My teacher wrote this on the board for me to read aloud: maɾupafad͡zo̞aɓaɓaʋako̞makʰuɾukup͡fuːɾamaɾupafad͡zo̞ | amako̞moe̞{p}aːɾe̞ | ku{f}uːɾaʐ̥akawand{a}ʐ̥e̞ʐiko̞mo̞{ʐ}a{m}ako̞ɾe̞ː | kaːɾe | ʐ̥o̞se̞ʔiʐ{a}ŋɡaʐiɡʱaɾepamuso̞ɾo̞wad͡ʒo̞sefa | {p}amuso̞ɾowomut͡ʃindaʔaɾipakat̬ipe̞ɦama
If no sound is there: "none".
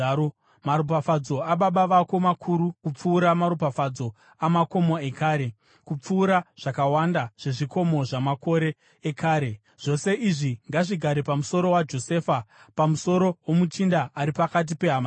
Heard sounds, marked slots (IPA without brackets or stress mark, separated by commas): k, p͡f, a, ʐ, m, i, p